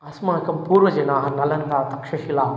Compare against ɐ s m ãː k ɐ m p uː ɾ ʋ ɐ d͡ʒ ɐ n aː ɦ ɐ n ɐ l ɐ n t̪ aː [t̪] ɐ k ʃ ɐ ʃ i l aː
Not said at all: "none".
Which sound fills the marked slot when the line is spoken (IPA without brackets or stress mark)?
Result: t̪